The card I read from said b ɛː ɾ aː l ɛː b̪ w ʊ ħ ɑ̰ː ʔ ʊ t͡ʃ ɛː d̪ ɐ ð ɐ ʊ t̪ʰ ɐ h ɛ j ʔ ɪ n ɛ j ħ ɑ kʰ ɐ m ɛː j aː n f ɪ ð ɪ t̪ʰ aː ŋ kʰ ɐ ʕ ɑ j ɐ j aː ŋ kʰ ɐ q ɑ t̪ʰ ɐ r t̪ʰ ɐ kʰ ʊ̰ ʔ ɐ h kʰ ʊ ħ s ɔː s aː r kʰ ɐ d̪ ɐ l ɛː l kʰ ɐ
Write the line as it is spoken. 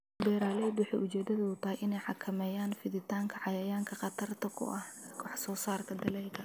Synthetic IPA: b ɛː ɾ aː l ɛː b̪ w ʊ ħ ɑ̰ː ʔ ʊ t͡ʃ ɛː d̪ ɐ ð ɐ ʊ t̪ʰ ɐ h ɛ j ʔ ɪ n ɛ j ħ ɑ kʰ ɐ m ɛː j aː n f ɪ ð ɪ t̪ʰ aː ŋ kʰ ɐ ʕ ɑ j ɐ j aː ŋ kʰ ɐ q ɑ t̪ʰ ɐ r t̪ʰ ɐ kʰ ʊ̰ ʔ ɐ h kʰ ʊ ħ s ɔː s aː r kʰ ɐ d̪ ɐ l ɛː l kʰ ɐ